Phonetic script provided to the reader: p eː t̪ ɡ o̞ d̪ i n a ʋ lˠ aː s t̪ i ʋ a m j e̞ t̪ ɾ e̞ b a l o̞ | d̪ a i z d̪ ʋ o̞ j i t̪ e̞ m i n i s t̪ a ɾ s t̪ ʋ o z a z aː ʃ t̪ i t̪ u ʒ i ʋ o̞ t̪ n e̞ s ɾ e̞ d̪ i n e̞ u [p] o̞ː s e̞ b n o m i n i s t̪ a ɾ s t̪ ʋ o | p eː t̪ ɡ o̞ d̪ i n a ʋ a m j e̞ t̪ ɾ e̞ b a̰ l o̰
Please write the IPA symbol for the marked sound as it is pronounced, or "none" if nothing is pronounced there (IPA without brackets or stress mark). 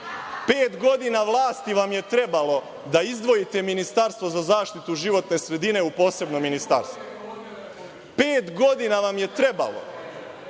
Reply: p